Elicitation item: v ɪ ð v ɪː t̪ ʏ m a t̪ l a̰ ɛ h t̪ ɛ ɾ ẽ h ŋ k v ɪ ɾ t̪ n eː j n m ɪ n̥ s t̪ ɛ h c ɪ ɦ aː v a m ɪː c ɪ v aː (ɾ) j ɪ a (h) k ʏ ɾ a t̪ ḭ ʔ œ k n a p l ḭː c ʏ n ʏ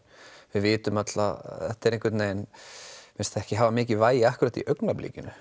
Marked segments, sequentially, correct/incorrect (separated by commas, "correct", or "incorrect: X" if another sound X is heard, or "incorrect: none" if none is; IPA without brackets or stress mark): incorrect: none, correct